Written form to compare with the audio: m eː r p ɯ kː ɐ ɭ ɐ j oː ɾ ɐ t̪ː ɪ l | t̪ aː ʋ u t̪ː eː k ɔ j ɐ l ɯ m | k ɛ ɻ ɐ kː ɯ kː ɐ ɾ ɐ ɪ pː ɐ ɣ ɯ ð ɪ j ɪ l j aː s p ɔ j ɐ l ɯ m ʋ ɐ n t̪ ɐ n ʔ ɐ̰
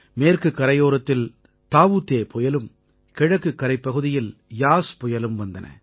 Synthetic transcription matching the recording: m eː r k ɯ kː ɐ ɾ ɐ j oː ɾ ɐ t̪ː ɪ l | t̪ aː ʋ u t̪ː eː p ɔ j ɐ l ɯ m | k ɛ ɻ ɐ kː ɯ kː ɐ ɾ ɐ ɪ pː ɐ ɣ ɯ ð ɪ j ɪ l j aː s p ɔ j ɐ l ɯ m ʋ ɐ n d̪ ɐ n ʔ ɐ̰